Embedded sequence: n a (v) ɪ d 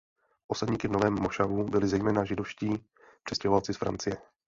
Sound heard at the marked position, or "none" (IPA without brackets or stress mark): ʒ